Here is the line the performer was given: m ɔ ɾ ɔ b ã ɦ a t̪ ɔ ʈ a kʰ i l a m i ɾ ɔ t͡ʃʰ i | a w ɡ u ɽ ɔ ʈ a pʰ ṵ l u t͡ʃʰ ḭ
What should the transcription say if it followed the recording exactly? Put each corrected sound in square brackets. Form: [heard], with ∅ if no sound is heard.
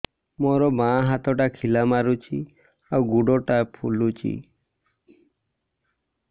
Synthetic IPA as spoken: m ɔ ɾ ɔ b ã ɦ a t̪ ɔ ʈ a kʰ i l a m [a] ɾ [u] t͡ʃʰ i | a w ɡ u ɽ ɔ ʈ a pʰ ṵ l u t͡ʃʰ ḭ